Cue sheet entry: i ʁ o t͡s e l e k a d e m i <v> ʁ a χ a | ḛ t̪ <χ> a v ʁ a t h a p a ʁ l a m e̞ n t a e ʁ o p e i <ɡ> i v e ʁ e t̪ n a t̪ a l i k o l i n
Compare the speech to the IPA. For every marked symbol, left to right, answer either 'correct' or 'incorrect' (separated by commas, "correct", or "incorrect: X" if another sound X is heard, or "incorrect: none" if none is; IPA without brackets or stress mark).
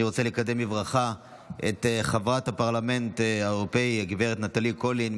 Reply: correct, correct, correct